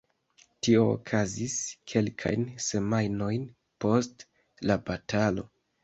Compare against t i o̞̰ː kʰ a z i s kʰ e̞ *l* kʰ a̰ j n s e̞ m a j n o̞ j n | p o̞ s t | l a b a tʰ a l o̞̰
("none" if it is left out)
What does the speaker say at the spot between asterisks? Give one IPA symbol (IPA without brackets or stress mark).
l